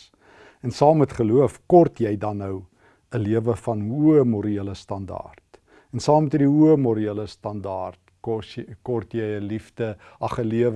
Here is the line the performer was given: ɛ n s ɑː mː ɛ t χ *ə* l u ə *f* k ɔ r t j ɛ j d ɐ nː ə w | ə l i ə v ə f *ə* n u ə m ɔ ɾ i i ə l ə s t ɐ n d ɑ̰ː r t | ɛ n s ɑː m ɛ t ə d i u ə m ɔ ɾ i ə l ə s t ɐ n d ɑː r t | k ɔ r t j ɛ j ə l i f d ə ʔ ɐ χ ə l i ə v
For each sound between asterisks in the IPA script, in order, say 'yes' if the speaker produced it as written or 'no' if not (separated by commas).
yes, yes, no